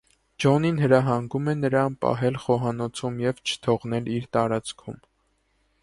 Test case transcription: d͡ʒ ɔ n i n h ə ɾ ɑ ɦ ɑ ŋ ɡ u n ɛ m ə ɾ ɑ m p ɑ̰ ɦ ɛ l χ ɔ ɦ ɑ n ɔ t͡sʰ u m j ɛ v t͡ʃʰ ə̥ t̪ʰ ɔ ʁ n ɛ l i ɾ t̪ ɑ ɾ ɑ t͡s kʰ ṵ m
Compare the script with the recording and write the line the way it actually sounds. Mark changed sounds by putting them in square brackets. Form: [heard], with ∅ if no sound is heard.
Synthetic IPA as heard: d͡ʒ ɔ n i n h ə ɾ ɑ ɦ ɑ ŋ ɡ u [m] ɛ [n] ə ɾ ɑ [n] p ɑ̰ ɦ ɛ l χ ɔ ɦ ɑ n ɔ t͡sʰ u m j ɛ v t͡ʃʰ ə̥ t̪ʰ ɔ ʁ n ɛ l i ɾ t̪ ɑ ɾ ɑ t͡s kʰ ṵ m